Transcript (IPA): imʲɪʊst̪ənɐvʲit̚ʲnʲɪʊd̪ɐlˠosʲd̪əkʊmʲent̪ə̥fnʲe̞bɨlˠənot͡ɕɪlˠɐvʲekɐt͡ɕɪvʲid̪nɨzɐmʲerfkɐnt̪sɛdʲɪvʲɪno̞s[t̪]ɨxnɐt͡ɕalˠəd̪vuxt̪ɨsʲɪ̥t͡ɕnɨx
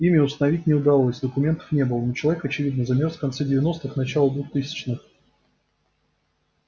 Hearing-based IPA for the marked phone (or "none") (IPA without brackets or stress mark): t̪